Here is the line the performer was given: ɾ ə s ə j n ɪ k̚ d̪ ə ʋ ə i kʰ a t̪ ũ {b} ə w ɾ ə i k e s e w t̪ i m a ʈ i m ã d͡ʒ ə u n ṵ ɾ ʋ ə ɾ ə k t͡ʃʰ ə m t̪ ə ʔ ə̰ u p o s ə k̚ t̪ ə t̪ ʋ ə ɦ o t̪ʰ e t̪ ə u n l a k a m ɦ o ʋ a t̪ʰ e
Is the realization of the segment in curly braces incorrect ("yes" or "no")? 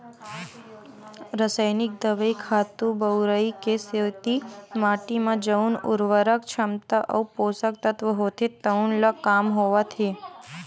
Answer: no